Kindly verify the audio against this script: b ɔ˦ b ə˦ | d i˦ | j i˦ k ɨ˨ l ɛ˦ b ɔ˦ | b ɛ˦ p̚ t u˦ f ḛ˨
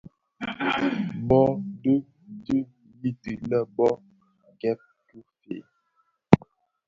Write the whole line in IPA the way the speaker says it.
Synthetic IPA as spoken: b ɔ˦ d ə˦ | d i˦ | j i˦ t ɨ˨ l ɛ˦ b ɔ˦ | ɡ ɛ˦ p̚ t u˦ f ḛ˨

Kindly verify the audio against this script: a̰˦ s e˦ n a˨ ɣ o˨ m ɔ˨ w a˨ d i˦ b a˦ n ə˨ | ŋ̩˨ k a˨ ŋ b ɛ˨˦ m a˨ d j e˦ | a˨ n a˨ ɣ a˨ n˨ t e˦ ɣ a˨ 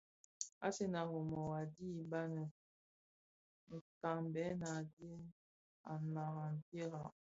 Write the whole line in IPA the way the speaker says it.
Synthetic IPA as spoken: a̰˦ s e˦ n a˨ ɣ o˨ m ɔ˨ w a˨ d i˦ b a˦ n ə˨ | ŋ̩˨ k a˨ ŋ b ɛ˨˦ n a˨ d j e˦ | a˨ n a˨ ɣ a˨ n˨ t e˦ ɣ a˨

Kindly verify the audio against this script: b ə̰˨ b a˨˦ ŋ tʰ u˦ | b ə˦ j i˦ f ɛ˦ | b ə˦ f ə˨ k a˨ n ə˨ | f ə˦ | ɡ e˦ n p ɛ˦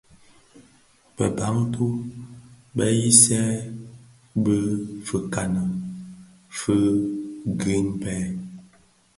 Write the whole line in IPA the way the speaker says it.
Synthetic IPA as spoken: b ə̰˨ b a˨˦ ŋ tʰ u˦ | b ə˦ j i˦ s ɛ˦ | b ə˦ f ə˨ k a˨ n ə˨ | f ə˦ | ɡ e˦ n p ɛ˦

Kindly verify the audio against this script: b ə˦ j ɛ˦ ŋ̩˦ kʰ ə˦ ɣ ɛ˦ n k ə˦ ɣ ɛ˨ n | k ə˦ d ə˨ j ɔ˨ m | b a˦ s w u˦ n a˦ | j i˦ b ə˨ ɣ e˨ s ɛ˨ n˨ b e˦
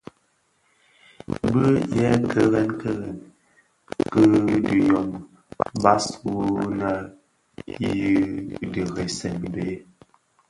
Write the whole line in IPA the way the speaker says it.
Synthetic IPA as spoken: b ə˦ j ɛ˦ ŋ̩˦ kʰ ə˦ ɣ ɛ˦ n k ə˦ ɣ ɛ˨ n | k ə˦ d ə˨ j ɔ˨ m | b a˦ s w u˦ n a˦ | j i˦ d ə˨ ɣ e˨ s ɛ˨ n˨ b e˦

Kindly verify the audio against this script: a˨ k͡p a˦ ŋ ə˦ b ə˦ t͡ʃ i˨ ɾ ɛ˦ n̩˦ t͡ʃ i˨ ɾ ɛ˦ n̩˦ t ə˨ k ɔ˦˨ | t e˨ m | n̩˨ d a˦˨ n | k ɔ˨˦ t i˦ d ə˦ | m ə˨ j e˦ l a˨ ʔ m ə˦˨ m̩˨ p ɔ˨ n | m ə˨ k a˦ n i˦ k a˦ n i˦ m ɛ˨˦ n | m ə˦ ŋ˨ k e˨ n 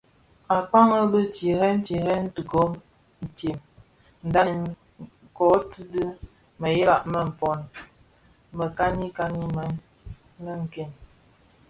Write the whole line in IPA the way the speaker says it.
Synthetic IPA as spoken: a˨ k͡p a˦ ŋ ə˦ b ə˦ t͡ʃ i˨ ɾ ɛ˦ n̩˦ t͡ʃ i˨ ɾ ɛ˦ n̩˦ t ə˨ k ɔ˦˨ | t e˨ m | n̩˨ d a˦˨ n | k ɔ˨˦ t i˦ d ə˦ | m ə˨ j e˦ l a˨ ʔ m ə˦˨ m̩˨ p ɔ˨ n | m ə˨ k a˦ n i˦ k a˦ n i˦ m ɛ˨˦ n | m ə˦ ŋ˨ k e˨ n

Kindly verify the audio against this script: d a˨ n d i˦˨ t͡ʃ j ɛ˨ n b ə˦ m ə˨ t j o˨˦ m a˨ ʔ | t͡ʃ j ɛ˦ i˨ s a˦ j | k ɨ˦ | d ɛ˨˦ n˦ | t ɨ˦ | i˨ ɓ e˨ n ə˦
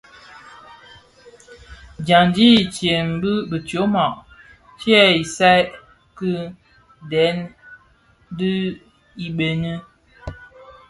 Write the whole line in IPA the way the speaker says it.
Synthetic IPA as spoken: d͡ʒ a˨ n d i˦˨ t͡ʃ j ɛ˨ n b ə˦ b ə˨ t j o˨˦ m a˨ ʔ | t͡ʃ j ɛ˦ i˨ s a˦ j | k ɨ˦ | d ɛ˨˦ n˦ | d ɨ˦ | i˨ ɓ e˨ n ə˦

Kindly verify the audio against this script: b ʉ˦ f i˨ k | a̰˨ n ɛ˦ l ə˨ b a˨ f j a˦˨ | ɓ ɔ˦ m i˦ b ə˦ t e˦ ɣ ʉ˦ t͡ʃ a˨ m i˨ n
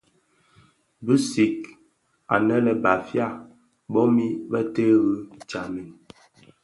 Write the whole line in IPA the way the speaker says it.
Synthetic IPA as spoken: b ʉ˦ s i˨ k | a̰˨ n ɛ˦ l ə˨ b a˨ f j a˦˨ | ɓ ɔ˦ m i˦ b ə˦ t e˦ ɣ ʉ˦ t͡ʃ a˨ m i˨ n

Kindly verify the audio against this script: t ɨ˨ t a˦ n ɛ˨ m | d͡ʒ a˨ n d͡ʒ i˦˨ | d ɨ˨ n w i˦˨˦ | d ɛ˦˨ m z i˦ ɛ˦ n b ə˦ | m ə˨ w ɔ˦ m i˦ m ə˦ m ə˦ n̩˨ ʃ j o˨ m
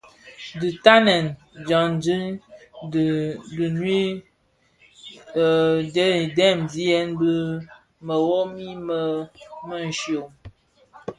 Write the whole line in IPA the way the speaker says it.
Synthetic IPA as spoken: d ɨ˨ t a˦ n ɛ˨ n | d͡ʒ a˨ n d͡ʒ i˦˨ | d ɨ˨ n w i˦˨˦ | d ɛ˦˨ m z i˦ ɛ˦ n b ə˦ | m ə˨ w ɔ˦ m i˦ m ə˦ m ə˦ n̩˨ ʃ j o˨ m

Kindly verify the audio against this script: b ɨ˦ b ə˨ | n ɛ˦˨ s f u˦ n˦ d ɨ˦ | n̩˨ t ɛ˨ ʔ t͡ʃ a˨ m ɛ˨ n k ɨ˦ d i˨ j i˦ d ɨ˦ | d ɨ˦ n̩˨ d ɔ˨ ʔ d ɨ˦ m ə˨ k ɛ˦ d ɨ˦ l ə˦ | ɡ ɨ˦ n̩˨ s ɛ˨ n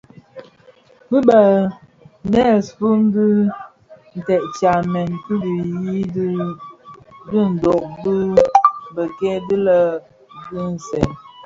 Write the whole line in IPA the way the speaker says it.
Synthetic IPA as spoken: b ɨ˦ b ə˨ | n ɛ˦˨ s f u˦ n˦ d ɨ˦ | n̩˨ t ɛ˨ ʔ t͡ʃ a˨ m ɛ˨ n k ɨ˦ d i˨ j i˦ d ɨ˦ | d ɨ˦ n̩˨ d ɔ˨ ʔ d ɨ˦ b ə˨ k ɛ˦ d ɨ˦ l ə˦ | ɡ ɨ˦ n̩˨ s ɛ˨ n

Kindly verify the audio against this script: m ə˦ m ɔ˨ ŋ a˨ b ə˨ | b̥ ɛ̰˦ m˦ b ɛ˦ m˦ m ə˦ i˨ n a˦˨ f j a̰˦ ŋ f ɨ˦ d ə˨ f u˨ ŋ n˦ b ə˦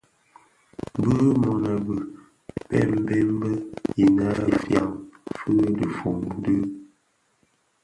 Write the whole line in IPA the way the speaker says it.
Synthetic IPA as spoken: b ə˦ m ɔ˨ n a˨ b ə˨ | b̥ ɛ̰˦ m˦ b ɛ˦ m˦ b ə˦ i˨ n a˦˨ f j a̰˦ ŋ f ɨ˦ d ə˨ f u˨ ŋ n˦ d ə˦

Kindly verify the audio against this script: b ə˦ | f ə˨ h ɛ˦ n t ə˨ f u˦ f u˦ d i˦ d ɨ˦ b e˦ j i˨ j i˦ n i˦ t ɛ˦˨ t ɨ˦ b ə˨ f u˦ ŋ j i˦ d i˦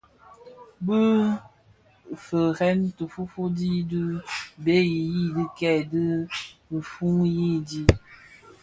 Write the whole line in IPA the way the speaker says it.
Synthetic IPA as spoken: b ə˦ | f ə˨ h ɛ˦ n t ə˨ f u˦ f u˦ d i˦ d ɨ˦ b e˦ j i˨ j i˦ d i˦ k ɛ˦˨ d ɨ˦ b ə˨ f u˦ ŋ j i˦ d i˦

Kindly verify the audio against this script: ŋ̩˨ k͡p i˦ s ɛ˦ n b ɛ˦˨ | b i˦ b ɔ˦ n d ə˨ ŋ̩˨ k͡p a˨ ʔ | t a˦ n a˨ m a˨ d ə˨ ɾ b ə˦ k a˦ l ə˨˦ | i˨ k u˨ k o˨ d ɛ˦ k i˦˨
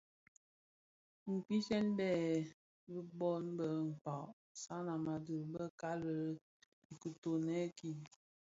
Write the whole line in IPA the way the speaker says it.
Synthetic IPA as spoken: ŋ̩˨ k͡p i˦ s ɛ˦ n b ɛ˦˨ | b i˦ b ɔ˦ n b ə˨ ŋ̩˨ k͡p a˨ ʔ | s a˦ n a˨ m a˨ d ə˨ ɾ b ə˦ k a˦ l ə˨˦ | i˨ k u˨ t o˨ n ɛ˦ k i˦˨

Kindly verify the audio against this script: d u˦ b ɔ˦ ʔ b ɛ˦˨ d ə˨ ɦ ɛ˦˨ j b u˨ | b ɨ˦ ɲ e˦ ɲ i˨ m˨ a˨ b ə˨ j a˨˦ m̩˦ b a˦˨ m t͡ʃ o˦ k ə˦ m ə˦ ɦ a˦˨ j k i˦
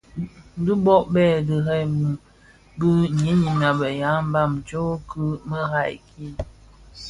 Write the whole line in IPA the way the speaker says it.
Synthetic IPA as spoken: d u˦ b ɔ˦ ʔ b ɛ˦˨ d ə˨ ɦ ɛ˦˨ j m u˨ | b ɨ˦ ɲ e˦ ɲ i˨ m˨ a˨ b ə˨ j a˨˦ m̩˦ b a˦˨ m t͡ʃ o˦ k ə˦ m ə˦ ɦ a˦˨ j k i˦

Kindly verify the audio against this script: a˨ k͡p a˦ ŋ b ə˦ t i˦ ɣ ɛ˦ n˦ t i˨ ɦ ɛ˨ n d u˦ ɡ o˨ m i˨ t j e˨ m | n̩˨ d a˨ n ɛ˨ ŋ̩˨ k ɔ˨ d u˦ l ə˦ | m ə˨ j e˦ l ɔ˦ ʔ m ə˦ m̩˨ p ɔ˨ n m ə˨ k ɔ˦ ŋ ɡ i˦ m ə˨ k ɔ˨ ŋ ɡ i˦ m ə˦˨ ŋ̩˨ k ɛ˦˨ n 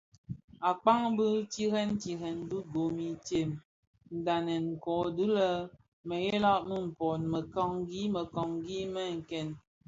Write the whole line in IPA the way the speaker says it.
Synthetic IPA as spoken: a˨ k͡p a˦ ŋ b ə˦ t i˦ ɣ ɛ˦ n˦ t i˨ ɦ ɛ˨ n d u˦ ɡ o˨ m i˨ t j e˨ m | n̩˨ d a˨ n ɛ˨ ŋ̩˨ k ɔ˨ d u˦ l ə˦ | m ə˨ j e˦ l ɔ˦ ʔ m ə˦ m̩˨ p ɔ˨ n m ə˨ k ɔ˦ ŋ ɡ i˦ m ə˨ k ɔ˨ ŋ ɡ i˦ m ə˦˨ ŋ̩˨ k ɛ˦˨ n

